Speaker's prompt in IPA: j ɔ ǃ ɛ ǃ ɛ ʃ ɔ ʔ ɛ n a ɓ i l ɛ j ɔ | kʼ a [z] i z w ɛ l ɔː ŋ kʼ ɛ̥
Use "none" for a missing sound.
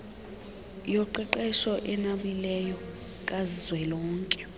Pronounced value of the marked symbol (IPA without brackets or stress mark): z